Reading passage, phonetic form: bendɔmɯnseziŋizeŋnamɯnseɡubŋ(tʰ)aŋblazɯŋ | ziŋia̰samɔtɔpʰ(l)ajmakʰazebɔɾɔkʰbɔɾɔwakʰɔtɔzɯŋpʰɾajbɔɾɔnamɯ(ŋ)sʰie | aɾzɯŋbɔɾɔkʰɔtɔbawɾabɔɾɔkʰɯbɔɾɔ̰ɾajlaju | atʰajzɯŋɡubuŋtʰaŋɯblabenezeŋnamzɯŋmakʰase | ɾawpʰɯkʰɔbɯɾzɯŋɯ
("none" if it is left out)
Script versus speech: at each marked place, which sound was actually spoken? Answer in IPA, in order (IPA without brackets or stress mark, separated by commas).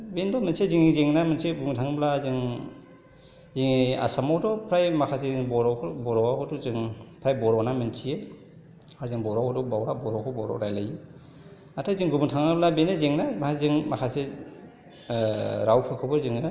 tʰ, ɾ, n